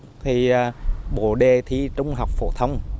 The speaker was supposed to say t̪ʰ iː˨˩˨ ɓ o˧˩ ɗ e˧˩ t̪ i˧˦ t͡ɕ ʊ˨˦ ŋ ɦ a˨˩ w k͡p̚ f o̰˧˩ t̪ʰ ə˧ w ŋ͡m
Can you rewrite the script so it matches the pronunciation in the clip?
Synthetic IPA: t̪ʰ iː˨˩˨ ɓ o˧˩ ɗ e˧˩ t̪ʰ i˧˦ t͡ɕ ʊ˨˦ ŋ͡m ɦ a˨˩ w k͡p̚ f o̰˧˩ t̪ʰ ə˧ w ŋ͡m

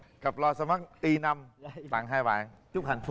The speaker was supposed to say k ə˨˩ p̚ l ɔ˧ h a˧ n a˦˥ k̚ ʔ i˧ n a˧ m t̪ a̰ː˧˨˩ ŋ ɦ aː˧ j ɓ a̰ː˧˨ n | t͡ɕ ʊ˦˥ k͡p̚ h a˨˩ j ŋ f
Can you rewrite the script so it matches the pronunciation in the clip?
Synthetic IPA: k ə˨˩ p̚ l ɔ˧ s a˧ m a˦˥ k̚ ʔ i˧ n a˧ m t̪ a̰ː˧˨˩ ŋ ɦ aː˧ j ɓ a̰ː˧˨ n | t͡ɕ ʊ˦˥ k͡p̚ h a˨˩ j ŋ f

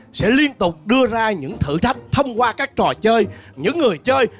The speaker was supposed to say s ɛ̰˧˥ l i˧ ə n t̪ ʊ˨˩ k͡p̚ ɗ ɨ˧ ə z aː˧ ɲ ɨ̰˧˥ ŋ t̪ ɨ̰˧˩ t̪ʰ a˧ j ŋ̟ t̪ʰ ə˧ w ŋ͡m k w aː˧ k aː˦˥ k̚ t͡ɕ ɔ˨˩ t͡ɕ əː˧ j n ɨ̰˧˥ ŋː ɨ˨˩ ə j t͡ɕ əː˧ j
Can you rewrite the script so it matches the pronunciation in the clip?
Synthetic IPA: s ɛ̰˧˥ l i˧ ə n t̪ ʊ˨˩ k͡p̚ ɗ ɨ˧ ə z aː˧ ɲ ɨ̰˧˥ ŋ t̪ʰ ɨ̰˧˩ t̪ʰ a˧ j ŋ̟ t̪ʰ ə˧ w ŋ͡m k w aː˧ k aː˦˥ k̚ t͡ɕ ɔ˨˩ t͡ɕ əː˧ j ɲ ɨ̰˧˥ ŋː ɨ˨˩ ə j t͡ɕ əː˧ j

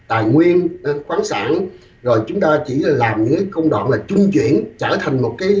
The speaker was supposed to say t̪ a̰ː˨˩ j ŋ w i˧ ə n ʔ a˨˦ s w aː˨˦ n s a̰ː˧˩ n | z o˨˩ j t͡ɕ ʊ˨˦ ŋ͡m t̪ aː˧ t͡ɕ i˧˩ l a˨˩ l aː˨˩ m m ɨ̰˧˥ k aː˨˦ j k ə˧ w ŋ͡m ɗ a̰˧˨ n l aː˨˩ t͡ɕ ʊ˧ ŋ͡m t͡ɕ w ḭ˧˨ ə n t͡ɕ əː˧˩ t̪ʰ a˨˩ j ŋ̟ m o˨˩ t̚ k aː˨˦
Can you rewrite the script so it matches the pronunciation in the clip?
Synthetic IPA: t̪ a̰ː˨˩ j ŋ w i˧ ə n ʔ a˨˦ x w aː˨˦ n s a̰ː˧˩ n | z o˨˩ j t͡ɕ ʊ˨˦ ŋ͡m t̪ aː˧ t͡ɕ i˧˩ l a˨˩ l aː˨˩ m ɲ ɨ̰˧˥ k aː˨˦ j k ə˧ w ŋ͡m ɗ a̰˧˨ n l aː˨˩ t͡ɕ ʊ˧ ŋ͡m t͡ɕ w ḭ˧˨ ə n t͡ɕ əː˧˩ t̪ʰ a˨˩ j ŋ̟ m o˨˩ t̚ k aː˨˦

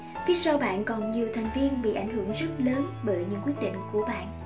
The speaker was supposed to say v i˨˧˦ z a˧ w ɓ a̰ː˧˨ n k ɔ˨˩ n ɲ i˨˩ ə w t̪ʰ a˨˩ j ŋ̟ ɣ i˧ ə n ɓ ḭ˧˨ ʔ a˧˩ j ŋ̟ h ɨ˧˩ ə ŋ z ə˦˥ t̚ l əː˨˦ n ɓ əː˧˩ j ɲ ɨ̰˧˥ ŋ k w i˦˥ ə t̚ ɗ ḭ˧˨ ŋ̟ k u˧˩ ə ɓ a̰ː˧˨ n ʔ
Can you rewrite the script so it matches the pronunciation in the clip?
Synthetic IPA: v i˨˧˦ s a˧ w ɓ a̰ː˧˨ n k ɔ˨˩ n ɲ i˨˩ ə w t̪ʰ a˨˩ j ŋ̟ v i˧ ə n ɓ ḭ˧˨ ʔ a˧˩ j ŋ̟ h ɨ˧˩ ə ŋ z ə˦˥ t̚ l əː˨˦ n ɓ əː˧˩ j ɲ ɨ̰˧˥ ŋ k w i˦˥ ə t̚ ɗ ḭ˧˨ ŋ̟ k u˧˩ ə ɓ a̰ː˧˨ n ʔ

